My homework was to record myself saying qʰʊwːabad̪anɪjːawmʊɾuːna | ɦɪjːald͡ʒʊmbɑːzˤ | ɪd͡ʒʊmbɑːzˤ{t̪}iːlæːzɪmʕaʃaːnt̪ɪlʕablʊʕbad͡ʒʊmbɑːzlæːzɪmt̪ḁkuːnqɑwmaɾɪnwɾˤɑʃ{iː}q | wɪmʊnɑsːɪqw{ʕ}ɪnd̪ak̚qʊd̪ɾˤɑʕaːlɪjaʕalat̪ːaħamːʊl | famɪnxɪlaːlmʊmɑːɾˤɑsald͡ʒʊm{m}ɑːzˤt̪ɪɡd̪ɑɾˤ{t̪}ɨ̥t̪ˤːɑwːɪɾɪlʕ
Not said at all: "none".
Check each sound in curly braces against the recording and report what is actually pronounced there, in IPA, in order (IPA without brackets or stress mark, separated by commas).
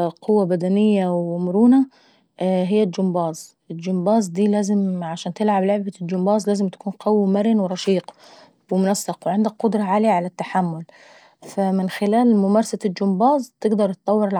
d̪, iː, ʕ, b, t̪